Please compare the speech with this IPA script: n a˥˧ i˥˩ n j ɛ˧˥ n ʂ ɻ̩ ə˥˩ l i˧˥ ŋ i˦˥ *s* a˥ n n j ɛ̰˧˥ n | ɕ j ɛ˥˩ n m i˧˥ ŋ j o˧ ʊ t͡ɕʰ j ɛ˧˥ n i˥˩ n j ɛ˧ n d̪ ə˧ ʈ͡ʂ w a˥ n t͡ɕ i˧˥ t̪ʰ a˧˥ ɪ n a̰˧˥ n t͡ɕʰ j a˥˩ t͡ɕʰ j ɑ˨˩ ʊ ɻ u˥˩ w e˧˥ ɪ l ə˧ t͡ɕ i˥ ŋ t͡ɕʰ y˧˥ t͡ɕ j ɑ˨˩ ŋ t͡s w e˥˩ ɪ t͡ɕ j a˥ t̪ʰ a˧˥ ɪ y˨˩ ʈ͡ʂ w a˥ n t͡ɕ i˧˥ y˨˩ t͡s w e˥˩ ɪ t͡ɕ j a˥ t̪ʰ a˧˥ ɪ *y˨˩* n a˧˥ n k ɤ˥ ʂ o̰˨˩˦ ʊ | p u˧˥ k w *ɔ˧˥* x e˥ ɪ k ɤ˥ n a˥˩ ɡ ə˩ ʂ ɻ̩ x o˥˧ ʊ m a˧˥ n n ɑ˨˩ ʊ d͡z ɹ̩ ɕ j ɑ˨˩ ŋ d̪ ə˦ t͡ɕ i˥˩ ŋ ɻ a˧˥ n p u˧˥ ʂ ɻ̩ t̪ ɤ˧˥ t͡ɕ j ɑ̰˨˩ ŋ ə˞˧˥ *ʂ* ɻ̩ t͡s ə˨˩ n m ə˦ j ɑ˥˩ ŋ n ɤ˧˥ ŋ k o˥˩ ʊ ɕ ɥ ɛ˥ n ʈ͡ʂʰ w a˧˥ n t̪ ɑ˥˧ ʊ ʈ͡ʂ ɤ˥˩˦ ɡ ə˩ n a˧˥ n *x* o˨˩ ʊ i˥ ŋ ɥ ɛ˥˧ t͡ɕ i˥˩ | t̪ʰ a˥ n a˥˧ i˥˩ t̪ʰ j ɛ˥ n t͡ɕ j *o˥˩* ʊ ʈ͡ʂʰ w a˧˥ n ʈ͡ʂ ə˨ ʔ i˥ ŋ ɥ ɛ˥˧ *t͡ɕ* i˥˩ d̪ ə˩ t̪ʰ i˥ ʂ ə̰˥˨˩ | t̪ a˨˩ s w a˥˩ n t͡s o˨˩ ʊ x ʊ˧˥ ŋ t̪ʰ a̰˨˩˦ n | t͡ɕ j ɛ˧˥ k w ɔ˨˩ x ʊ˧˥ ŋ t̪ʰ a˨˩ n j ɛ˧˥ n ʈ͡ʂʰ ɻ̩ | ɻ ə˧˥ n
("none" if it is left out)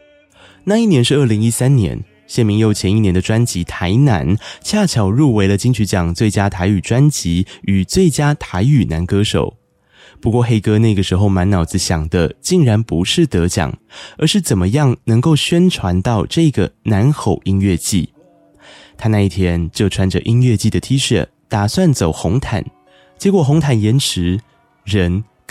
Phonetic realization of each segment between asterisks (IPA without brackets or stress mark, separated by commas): s, y˨˩, ɔ˥˧, ʂ, x, o˥˩, t͡ɕ